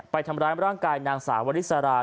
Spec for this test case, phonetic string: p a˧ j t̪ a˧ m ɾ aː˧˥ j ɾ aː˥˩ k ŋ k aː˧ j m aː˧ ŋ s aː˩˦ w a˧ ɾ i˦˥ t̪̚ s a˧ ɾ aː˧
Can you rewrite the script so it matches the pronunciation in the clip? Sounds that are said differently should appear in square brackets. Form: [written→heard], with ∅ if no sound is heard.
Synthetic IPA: p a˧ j [t̪→t̪ʰ] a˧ m ɾ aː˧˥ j ɾ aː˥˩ [k→∅] ŋ k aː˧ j [m→n] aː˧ ŋ s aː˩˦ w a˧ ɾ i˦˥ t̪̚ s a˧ ɾ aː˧